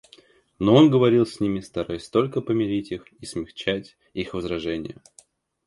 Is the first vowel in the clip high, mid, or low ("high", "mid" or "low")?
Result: mid